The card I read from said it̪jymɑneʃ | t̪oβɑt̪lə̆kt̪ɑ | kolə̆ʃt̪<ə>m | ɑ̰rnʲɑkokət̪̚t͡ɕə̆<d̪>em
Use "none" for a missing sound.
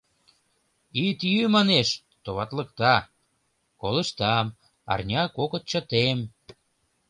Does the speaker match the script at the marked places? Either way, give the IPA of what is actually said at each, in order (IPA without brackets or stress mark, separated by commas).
ɑ, t̪